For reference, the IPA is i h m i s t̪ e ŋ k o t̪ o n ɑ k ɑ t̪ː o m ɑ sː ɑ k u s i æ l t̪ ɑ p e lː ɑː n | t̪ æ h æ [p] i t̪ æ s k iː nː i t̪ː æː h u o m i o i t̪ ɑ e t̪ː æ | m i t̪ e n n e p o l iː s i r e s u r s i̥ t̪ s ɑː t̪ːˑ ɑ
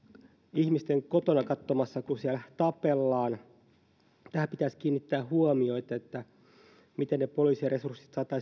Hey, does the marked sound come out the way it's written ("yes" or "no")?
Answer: yes